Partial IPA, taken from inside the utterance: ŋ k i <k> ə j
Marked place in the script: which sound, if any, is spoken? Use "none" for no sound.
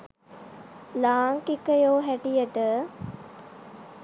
k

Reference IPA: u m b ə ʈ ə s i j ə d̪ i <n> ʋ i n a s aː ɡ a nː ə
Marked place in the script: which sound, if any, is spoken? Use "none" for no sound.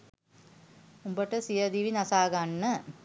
none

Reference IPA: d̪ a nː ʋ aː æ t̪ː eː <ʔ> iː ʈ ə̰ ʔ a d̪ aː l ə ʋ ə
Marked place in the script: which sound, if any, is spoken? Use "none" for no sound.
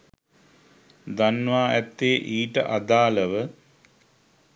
ʔ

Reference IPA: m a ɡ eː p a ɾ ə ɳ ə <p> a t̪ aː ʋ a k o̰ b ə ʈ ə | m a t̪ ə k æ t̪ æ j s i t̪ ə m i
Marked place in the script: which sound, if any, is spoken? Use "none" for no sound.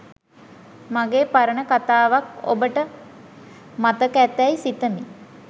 k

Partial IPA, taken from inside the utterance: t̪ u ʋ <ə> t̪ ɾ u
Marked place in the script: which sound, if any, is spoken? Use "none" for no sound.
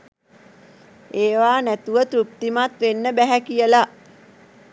ə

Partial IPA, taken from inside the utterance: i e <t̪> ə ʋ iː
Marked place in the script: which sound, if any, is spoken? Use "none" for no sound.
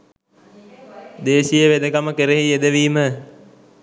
d̪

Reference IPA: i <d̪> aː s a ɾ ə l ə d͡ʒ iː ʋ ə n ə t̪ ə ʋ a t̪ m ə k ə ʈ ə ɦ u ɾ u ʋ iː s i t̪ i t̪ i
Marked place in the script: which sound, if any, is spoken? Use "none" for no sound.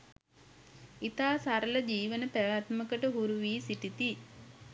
t̪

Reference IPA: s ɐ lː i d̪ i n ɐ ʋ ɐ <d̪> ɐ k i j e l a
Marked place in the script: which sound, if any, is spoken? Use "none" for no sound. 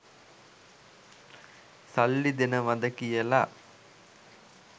d̪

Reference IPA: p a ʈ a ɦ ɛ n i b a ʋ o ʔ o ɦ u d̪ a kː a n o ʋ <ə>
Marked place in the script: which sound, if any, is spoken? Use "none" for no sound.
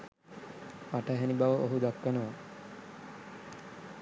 a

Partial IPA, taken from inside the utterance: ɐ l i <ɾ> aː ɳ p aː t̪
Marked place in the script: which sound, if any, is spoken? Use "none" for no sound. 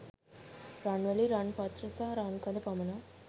ɾ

